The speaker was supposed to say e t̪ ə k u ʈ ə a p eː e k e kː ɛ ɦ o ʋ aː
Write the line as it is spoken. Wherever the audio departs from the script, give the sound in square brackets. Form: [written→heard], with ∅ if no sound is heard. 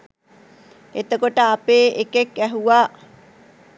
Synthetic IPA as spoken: e t̪ ə k [u→o] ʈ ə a p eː e k e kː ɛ ɦ [o→u] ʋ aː